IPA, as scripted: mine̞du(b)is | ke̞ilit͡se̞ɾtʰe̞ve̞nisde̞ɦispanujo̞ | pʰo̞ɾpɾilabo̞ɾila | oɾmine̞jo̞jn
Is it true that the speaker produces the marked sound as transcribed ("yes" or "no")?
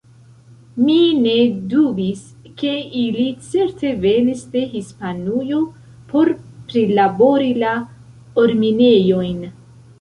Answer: yes